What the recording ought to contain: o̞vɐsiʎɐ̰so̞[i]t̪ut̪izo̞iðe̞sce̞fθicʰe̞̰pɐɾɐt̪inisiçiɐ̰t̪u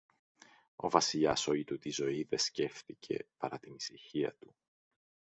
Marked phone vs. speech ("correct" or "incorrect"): correct